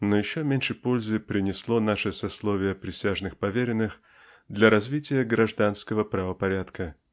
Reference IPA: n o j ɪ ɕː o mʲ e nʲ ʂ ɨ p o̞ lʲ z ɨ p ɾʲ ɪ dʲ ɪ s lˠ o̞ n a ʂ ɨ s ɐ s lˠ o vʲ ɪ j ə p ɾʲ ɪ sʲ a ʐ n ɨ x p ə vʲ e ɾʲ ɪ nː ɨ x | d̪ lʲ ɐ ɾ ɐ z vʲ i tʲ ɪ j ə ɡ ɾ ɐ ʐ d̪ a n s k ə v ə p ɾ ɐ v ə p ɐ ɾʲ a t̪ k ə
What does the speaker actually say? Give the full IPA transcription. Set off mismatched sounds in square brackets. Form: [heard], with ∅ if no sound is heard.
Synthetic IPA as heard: n o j ɪ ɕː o mʲ e nʲ ʂ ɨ p o̞ lʲ z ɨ p ɾʲ ɪ [nʲ] ɪ s lˠ o̞ n a ʂ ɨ s ɐ s lˠ o vʲ ɪ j ə p ɾʲ ɪ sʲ a ʐ n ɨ x p [ɐ] vʲ e ɾʲ ɪ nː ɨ x | d̪ lʲ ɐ ɾ ɐ z vʲ i tʲ ɪ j ə ɡ ɾ ɐ ʐ d̪ a n s k ə v ə p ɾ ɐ v ə p ɐ ɾʲ a t̪ k ə